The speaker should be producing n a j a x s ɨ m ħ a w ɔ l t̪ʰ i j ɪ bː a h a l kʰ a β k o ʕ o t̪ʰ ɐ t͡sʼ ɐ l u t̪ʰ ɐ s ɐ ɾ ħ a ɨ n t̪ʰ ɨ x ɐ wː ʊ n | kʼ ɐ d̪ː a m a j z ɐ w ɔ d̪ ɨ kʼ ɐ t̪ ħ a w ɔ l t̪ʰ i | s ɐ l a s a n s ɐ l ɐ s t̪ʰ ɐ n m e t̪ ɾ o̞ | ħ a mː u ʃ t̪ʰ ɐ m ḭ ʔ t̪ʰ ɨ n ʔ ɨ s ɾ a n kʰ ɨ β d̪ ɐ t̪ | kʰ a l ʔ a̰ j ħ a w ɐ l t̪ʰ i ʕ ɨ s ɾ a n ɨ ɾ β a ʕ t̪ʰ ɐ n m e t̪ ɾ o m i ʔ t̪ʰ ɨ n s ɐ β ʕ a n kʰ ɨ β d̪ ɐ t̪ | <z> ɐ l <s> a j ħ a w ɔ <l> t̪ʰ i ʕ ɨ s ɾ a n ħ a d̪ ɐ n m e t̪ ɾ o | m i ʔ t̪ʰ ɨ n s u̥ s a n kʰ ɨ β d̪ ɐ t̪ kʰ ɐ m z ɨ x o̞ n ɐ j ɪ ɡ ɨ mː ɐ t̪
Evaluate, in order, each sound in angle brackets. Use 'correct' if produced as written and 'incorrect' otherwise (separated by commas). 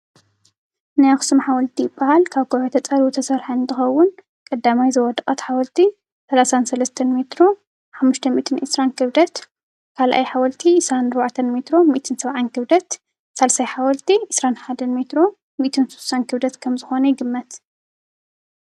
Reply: incorrect, correct, correct